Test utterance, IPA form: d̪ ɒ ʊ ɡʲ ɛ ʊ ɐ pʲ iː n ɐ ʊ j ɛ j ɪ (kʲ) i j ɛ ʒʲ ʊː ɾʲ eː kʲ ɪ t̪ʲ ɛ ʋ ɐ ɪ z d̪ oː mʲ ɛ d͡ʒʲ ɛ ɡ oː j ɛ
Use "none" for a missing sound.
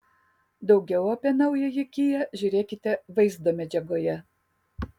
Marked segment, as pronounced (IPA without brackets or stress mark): kʲ